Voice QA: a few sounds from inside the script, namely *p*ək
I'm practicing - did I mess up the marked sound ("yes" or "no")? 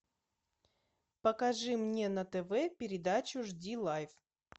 no